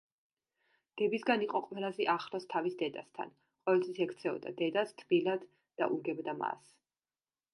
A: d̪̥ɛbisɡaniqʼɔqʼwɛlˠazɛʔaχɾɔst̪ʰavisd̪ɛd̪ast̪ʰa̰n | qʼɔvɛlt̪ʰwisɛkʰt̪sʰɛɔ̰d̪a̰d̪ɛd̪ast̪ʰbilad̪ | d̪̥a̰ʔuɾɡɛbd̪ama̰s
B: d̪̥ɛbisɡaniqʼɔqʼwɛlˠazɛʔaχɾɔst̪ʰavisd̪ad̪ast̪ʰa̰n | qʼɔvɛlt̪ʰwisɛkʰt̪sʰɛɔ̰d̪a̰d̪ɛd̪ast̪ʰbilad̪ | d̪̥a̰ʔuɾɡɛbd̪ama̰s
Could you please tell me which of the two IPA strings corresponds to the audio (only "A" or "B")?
A